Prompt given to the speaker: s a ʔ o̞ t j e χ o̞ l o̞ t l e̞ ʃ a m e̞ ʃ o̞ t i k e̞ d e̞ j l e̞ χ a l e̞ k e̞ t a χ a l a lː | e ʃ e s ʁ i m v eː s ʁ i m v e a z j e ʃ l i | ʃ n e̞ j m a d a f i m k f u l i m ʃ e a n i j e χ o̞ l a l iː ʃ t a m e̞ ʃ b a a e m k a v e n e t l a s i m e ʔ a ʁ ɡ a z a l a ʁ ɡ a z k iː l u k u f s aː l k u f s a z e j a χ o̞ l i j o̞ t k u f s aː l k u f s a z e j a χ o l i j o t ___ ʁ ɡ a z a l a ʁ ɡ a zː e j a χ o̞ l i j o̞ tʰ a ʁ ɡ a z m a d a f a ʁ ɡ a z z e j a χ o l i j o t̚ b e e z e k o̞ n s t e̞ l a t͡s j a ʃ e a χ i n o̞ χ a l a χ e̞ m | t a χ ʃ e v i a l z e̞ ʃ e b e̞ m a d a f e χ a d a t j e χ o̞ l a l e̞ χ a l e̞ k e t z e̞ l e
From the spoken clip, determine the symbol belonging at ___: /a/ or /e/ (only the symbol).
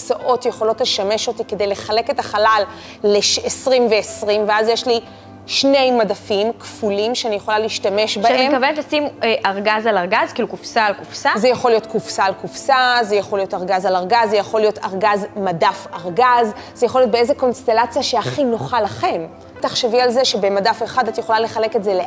a